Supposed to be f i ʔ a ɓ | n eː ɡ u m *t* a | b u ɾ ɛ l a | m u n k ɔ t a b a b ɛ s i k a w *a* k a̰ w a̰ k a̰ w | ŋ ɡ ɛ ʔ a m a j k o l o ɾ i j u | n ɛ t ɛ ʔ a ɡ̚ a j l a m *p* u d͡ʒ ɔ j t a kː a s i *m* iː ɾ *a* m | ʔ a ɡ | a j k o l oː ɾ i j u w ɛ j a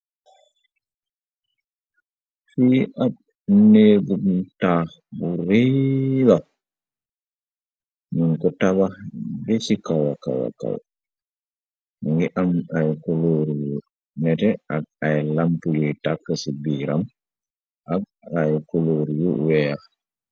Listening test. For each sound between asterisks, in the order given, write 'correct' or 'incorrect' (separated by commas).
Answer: correct, correct, correct, incorrect, correct